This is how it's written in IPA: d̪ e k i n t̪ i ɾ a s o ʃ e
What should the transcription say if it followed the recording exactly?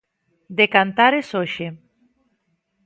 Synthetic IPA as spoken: d̪ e k a n t̪ a ɾ e s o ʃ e